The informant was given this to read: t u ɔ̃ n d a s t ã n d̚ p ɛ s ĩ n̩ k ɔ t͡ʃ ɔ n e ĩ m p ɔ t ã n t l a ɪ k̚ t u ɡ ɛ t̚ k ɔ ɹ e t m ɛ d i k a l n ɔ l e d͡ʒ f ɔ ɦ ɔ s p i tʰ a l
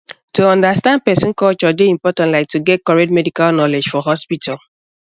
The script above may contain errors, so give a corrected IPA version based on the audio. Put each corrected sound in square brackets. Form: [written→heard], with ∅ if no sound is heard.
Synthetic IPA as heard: t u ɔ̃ n d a s t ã n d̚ p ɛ s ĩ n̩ k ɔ t͡ʃ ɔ [n→d] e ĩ m p ɔ t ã n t l a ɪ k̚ t u ɡ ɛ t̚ k ɔ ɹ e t m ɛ d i k a l n ɔ l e d͡ʒ f ɔ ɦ ɔ s p i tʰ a l